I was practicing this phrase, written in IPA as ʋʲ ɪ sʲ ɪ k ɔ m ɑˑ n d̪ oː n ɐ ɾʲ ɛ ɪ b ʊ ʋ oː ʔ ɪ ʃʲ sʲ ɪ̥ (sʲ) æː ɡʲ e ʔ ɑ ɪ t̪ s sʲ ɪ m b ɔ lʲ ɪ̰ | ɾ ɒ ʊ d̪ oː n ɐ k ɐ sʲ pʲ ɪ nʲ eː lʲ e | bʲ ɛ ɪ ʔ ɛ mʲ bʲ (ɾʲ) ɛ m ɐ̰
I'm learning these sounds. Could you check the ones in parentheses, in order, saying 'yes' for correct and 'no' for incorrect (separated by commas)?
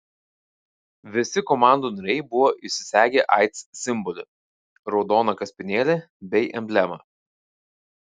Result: yes, no